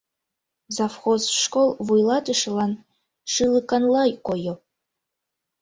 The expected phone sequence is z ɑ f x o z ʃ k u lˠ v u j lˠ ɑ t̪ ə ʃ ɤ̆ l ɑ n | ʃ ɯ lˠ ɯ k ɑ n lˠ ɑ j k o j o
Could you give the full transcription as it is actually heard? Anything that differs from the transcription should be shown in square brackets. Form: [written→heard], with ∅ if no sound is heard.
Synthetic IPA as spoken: z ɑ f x o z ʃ k [u→o] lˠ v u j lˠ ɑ t̪ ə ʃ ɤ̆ l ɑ n | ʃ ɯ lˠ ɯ k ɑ n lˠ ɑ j k o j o